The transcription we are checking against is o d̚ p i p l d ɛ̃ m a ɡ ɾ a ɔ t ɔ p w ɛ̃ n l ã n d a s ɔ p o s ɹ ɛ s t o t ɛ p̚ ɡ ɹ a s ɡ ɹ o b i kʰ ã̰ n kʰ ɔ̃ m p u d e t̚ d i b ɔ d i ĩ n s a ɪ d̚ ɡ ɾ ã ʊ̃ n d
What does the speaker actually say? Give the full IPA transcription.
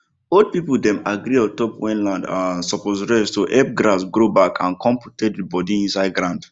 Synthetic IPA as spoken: o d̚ p i p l d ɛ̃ m a ɡ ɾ i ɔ t ɔ p w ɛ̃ n l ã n d a s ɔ p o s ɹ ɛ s t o ʔ ɛ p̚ ɡ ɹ a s ɡ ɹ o b a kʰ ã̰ n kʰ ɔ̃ m p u t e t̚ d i b ɔ d i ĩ n s a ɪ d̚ ɡ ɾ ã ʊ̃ n d

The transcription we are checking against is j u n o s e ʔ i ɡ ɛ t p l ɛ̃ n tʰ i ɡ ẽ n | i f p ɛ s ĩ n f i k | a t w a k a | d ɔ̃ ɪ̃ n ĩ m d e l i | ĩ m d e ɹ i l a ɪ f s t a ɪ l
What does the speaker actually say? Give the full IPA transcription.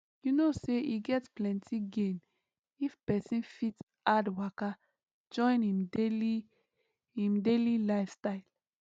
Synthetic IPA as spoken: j u n o s e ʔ i ɡ ɛ t p l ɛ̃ n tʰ i ɡ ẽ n | i f p ɛ s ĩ n f i t | a d w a k a | d͡ʒ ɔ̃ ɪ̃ n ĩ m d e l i | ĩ m d e l i l a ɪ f s t a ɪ l

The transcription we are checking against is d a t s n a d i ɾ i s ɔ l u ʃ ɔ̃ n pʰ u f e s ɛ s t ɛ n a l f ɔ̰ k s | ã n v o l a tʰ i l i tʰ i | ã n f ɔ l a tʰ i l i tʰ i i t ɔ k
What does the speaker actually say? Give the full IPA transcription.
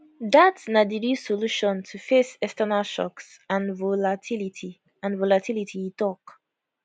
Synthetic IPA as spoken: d a t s n a d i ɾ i s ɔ l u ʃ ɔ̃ n tʰ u f e s ɛ s t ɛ n a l ʃ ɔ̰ k s | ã n v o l a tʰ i l i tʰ i | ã n v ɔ l a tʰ i l i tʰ i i t ɔ k

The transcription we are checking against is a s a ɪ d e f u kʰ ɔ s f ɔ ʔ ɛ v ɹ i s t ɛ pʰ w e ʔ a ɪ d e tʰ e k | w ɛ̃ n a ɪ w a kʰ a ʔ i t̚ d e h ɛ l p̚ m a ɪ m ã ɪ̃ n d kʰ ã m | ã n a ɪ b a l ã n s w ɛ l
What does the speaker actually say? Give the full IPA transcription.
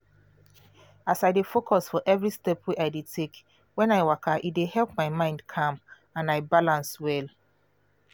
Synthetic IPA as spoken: a s a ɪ d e f o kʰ ɔ s f ɔ ʔ ɛ v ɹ i s t ɛ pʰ w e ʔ a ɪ d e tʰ e k | w ɛ̃ n a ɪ w a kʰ a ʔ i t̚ d e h ɛ l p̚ m a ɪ m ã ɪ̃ n d kʰ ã m | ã n a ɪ b a l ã n s w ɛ l

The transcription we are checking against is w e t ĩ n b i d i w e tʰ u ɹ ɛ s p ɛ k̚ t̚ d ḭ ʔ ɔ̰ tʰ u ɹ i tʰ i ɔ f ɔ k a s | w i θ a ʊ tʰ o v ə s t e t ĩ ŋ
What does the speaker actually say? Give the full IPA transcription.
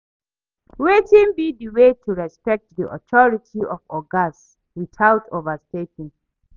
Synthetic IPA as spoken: w e t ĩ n b i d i w e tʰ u ɹ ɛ s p ɛ k̚ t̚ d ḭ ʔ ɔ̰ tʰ ɔ ɹ i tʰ i ɔ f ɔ ɡ a s | w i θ a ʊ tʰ o v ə s t e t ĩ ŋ

